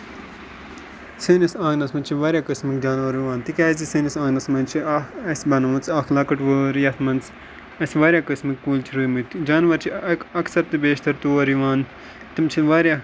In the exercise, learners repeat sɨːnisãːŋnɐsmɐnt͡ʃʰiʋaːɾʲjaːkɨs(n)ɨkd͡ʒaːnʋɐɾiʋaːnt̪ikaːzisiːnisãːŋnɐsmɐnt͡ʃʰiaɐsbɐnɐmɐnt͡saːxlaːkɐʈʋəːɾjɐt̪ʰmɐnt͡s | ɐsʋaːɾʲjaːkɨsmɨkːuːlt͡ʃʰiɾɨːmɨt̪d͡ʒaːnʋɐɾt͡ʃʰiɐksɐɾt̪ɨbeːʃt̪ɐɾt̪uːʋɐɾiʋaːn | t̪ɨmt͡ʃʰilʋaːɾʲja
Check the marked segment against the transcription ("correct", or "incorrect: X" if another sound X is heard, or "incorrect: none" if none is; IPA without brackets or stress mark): incorrect: m